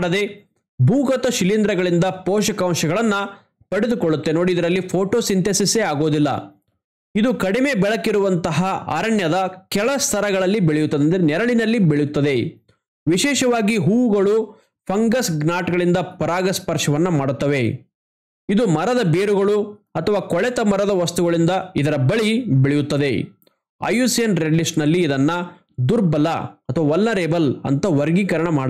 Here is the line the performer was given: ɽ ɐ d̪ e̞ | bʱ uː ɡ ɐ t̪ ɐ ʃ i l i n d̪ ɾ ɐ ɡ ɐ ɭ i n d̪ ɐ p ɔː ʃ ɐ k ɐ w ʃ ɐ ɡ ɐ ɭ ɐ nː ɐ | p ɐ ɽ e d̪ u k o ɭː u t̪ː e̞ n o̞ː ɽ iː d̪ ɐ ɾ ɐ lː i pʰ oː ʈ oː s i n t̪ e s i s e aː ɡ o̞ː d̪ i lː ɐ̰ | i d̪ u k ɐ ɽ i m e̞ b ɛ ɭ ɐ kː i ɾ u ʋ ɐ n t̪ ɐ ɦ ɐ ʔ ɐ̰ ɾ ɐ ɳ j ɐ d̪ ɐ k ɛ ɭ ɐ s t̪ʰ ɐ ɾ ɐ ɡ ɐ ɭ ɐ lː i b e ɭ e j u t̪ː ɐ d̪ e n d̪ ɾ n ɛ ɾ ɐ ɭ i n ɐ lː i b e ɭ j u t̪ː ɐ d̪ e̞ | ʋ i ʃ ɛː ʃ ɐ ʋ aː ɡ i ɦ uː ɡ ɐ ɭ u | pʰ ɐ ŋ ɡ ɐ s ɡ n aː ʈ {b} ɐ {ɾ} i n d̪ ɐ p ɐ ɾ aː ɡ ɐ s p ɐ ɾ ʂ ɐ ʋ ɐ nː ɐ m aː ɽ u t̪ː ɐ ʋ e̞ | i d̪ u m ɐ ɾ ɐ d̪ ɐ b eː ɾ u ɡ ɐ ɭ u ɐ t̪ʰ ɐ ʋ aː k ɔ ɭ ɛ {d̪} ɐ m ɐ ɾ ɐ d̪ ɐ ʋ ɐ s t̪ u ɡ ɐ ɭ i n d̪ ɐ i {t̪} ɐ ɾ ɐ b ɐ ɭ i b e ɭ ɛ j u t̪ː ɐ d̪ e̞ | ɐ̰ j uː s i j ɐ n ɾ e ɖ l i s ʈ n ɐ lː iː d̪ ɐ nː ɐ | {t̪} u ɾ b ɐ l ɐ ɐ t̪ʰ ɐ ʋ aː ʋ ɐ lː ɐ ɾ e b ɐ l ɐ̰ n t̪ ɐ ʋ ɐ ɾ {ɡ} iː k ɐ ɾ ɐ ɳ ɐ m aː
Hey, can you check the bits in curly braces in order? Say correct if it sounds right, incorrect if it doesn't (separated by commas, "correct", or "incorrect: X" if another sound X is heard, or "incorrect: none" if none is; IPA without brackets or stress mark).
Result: incorrect: ɡ, incorrect: ɭ, incorrect: t̪, incorrect: d̪, incorrect: d̪, correct